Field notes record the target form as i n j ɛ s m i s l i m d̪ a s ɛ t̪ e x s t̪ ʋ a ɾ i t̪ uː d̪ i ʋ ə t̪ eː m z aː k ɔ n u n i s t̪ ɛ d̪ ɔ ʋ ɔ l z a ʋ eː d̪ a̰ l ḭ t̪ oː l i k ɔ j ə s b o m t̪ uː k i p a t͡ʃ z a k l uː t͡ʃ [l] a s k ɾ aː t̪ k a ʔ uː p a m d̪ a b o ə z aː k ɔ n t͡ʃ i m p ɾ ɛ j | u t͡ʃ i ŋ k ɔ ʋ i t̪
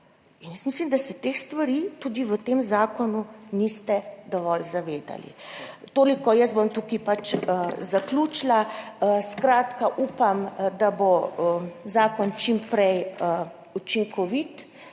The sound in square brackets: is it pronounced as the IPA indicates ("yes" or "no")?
yes